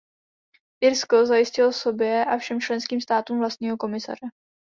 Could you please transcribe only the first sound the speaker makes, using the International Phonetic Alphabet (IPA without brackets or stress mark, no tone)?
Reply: ʔ